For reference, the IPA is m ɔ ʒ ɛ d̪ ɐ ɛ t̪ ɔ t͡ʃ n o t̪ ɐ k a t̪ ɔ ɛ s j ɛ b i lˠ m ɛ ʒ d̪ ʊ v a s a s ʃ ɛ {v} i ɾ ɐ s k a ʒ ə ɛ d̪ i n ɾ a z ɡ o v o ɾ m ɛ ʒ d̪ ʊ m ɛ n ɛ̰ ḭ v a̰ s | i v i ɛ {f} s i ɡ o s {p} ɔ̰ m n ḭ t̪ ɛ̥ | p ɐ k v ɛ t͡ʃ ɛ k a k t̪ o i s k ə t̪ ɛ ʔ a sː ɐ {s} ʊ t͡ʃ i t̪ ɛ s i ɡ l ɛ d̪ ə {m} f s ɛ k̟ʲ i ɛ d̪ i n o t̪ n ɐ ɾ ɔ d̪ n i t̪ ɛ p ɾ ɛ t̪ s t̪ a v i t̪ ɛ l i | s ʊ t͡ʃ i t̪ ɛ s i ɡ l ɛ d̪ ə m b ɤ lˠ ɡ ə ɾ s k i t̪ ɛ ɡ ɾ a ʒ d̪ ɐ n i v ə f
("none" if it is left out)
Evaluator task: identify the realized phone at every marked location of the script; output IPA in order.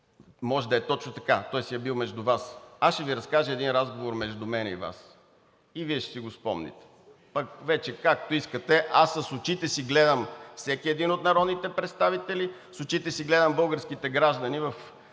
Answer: v, ʃ, p, s, m

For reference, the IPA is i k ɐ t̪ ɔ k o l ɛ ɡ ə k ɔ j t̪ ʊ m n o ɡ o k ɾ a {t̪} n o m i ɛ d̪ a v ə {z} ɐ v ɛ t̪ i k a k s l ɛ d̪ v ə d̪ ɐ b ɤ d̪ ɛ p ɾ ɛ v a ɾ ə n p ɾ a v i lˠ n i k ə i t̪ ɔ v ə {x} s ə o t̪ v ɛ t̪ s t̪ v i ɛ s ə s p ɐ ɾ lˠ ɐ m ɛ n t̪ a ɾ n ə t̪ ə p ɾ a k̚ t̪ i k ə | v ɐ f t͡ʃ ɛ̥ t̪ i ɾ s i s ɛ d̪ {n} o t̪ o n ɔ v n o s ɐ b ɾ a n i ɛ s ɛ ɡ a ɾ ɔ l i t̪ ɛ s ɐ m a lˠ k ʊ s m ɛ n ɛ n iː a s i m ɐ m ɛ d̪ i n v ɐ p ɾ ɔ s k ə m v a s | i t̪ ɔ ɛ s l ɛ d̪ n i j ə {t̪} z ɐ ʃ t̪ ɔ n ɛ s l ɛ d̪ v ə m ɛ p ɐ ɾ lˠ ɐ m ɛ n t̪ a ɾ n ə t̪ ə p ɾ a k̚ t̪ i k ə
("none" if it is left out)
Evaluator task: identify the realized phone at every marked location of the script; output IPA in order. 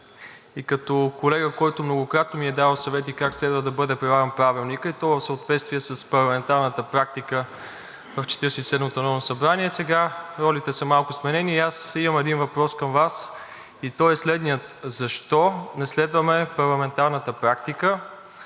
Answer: t̪, s, f, m, t̪

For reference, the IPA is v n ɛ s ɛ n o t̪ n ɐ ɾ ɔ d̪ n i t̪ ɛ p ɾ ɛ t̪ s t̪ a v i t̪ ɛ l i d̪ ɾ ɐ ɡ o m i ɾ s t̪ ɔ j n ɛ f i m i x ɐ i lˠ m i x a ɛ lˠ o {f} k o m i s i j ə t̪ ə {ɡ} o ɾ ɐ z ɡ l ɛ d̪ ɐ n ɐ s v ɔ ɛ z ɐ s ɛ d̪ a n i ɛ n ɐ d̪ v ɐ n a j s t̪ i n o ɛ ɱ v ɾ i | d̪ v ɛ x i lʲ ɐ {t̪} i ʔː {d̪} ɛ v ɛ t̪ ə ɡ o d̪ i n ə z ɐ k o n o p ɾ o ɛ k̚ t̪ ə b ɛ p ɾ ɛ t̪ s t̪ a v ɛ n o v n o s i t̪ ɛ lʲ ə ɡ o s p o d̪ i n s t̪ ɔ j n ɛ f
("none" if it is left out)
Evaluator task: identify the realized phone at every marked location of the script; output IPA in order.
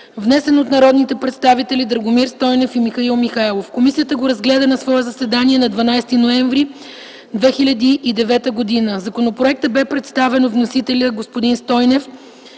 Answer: f, ɡ, d̪, d̪

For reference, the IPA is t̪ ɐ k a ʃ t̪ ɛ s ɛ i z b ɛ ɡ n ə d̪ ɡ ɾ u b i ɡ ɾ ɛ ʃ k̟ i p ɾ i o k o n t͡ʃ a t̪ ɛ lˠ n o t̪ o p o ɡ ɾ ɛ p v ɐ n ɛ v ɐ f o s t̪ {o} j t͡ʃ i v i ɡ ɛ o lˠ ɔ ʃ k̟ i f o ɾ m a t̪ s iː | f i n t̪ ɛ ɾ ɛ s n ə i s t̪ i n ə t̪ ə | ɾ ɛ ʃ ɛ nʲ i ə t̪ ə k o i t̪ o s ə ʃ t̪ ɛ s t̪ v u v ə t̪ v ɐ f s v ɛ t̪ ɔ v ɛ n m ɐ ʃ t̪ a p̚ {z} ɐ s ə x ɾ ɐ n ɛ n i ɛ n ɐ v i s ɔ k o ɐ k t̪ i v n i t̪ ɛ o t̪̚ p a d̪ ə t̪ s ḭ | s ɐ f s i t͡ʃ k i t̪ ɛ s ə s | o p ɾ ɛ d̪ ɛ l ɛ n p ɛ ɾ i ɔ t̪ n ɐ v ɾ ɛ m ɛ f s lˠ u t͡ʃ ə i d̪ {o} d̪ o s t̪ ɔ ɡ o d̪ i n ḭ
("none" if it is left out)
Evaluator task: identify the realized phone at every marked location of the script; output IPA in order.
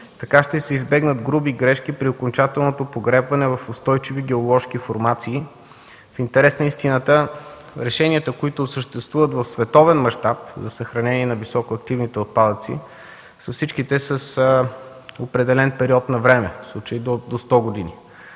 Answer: ɔ, z, o

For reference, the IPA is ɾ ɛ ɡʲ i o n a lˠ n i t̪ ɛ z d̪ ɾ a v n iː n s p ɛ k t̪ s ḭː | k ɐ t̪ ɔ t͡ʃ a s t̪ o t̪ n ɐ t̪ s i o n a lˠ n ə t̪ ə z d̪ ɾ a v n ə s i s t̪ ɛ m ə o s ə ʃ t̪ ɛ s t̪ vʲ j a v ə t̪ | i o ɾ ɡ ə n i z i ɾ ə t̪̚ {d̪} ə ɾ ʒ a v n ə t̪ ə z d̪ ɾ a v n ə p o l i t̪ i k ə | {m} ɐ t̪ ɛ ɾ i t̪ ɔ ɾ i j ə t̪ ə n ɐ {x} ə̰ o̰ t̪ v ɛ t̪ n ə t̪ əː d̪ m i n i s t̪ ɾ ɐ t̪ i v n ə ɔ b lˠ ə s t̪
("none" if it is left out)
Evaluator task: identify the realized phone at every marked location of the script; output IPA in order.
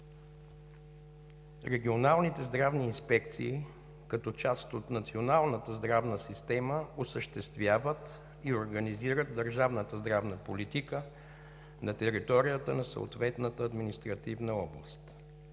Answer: d̪, n, s

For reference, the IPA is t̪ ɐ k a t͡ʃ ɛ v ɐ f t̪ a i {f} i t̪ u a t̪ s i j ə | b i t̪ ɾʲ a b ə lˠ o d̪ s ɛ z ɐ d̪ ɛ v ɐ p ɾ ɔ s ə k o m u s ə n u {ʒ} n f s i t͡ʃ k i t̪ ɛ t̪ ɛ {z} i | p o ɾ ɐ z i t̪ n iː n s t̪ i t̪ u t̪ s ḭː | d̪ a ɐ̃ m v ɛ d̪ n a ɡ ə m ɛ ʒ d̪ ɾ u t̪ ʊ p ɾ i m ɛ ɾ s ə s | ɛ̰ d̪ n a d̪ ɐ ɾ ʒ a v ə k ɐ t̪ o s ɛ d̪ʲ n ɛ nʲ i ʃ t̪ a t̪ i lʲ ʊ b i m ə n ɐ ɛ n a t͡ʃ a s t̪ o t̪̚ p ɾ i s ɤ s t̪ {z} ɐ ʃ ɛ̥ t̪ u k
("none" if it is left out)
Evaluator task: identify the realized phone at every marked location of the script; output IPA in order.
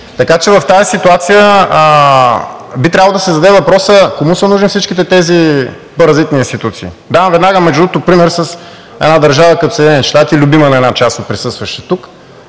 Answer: s, ʒ, z, v

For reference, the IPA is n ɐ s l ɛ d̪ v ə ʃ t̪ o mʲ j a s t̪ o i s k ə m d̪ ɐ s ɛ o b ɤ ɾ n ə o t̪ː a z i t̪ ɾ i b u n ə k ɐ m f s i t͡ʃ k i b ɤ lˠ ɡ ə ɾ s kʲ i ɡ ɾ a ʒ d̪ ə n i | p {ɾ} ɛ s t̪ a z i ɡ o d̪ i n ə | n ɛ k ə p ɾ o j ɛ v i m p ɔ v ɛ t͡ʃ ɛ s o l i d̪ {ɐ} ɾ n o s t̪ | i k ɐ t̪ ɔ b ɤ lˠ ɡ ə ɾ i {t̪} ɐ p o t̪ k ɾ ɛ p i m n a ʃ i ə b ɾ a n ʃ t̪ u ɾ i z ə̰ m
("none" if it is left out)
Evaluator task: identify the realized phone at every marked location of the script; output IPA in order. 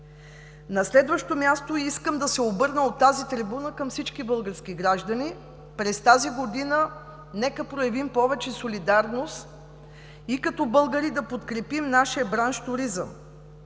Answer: ɾ, a, d̪

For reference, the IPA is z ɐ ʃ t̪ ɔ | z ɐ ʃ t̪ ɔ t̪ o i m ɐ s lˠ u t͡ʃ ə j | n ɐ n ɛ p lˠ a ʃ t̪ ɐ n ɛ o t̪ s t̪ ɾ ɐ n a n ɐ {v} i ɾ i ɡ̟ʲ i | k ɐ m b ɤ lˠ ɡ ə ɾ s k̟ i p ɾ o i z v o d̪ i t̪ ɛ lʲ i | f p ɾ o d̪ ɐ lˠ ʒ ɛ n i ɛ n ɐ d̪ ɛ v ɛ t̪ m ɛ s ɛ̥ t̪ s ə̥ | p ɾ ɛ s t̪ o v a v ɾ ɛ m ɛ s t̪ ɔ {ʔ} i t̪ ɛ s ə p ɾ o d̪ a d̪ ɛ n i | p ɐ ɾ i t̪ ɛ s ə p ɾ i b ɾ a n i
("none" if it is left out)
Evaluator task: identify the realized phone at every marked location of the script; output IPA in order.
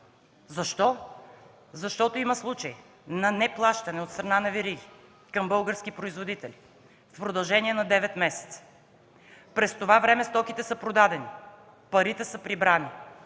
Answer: v, k

